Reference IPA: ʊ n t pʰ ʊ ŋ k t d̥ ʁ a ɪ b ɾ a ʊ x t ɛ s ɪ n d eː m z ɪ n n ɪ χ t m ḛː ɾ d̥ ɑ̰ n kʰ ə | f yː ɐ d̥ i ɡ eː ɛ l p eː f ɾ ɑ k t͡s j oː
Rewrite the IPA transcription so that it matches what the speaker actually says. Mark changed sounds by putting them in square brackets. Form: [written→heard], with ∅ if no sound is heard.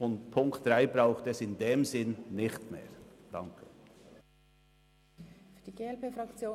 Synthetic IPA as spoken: ʊ n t pʰ ʊ ŋ k t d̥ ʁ a ɪ b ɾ a ʊ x t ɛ s ɪ n d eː m z ɪ n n ɪ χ t m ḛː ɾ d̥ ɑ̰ [n→ŋ] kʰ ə | f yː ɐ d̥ i ɡ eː ɛ l p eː f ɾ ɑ k t͡s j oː

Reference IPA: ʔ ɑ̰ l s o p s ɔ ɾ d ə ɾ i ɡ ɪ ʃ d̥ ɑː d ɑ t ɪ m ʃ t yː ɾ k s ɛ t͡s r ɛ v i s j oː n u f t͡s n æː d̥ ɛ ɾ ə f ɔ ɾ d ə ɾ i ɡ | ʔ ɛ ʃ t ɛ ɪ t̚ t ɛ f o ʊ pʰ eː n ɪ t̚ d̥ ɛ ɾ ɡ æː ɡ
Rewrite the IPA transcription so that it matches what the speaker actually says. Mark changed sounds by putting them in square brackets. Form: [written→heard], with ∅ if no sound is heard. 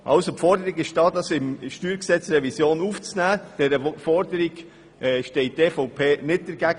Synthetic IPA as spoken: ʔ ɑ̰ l s o p [s→f] ɔ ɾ d ə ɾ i ɡ ɪ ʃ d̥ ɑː d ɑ [t→s] ɪ m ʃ t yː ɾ k s ɛ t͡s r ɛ v i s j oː n u f t͡s n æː d̥ ɛ ɾ ə f ɔ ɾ d ə ɾ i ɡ | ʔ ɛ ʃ t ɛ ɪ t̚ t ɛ f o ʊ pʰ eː n ɪ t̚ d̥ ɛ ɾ ɡ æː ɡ

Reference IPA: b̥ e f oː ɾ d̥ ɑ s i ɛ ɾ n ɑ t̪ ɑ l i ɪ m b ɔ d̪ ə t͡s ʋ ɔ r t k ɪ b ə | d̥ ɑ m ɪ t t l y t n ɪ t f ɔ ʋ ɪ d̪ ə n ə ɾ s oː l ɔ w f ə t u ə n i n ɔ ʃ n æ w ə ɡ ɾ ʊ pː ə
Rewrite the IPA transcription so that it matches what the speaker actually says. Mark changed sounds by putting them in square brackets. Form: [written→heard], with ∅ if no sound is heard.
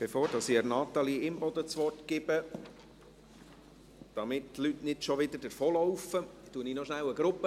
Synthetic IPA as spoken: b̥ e f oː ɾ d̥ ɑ s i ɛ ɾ n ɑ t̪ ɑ l i ɪ m b ɔ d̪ ə t͡s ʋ ɔ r t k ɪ b ə | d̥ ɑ m ɪ t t l y t n ɪ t [f→ʃ] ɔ ʋ ɪ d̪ ə [n→d] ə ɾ [s→f] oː l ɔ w f ə t u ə n i n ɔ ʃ n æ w ə ɡ ɾ ʊ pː ə

